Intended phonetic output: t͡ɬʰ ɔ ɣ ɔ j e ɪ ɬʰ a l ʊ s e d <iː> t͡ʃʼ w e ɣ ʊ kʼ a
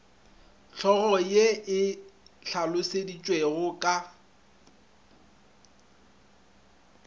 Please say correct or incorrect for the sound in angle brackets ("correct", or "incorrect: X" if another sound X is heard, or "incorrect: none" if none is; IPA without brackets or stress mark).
incorrect: i